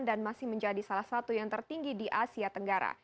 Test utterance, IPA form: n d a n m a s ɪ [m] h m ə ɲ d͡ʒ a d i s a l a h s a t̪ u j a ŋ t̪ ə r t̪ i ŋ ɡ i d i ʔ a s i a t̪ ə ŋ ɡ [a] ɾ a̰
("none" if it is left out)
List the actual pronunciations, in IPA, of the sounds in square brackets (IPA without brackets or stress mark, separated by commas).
none, a